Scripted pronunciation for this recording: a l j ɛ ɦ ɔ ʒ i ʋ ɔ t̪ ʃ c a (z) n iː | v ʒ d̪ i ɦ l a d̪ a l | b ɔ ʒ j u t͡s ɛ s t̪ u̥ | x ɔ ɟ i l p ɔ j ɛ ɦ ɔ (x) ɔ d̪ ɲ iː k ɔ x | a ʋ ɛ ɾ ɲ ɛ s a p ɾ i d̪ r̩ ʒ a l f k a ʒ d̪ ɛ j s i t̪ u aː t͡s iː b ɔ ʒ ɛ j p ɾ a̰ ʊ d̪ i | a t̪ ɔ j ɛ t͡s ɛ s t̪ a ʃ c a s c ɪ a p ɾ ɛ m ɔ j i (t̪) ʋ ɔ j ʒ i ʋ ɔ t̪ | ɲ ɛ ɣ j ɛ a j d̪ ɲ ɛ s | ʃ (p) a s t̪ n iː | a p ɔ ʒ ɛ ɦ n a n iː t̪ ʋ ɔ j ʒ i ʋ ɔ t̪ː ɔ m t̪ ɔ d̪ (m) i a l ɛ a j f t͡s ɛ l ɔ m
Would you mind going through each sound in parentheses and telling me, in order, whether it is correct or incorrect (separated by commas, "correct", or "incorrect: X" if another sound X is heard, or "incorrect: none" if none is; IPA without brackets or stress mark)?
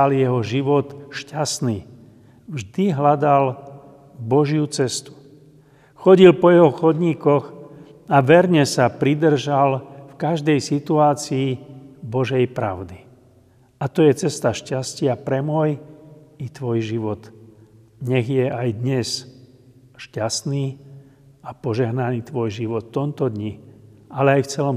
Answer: incorrect: s, correct, correct, incorrect: c, incorrect: ɲ